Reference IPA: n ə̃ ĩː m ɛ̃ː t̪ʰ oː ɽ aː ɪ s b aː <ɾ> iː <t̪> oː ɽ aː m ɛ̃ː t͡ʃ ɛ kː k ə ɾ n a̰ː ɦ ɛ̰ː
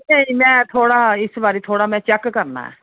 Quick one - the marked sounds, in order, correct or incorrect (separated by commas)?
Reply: correct, incorrect